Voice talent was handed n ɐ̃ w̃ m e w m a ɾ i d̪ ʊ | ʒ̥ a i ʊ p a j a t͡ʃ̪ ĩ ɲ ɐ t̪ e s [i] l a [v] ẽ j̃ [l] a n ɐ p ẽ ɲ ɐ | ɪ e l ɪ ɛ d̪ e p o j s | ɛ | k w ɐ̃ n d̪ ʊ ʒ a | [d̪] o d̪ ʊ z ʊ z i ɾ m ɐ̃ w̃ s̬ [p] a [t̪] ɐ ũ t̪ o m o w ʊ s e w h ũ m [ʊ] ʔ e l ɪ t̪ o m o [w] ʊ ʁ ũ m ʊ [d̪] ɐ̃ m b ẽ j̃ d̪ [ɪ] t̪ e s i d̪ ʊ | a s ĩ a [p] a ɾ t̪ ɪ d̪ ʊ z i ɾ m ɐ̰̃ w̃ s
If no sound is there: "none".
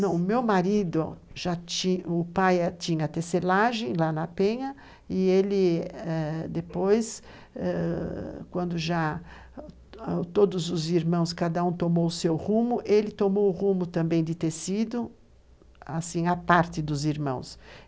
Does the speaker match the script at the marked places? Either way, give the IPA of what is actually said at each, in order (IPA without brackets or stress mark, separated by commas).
e, ʒ, l, t̪, k, d̪, ʊ, w, t̪, ɪ, p